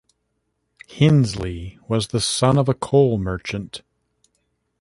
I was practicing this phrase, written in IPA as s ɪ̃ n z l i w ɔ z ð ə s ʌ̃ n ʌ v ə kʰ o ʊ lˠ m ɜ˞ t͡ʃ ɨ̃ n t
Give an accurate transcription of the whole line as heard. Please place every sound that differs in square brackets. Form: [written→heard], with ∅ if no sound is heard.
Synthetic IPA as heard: [s→h] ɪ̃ n z l i w [ɔ→ʌ] z ð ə s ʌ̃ n ʌ v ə kʰ o ʊ lˠ m ɜ˞ t͡ʃ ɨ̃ n t